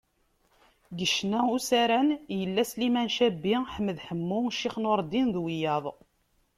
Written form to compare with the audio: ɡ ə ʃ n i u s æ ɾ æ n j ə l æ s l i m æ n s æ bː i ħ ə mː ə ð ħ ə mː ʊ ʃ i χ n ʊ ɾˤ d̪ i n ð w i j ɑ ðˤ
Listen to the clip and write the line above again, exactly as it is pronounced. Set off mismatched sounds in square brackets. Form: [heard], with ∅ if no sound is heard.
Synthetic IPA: ɡ ə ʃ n [æ] u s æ ɾ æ n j ə [lː] æ s l i m æ n [ʃ] æ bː i ħ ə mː ə ð ħ ə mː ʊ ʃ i χ n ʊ ɾˤ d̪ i n ð w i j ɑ ðˤ